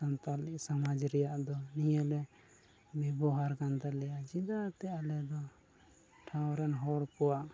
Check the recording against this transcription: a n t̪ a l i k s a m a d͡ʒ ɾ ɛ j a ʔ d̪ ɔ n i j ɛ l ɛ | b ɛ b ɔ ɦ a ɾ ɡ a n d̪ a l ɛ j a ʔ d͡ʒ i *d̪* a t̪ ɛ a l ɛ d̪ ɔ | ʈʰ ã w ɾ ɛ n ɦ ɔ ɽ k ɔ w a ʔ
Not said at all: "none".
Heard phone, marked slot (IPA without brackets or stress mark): d̪